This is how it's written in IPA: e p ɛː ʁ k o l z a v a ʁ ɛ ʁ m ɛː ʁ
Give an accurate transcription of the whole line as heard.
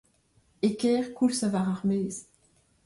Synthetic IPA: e k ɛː ʁ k u l s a v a ʁ a ʁ m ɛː z